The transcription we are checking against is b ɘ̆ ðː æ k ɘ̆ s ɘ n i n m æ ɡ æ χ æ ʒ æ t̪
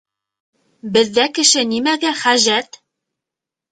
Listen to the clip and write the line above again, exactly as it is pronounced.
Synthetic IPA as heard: b ɘ̆ ðː æ k ɘ̆ ʃ ɘ n i m æ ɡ æ χ æ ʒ æ t̪